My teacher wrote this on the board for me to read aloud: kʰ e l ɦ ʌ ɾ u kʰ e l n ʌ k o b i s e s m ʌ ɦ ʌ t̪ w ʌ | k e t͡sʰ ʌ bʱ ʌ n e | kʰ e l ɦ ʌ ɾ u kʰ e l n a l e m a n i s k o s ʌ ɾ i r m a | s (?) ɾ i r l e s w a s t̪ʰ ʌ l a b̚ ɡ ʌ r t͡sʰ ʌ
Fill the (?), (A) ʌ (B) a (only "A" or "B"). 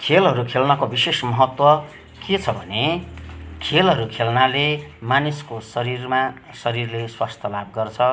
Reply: A